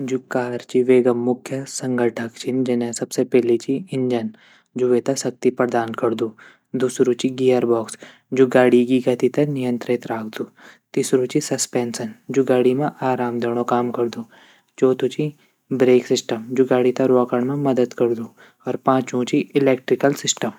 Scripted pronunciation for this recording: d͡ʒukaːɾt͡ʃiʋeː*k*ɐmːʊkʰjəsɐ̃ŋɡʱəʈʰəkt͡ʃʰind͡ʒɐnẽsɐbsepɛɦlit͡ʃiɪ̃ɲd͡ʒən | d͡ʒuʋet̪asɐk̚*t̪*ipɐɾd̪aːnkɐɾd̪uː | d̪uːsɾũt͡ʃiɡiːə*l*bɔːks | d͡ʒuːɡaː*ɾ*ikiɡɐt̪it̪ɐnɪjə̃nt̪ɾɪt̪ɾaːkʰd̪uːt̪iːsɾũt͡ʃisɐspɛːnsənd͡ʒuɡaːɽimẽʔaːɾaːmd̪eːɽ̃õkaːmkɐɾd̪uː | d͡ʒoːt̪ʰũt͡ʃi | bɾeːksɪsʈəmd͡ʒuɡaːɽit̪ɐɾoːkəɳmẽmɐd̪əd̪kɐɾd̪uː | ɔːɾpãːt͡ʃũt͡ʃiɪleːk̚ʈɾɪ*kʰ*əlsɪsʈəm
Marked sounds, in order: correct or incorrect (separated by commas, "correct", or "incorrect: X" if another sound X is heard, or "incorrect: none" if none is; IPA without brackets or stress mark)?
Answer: incorrect: ɡ, correct, incorrect: ɾ, incorrect: ɽ, incorrect: k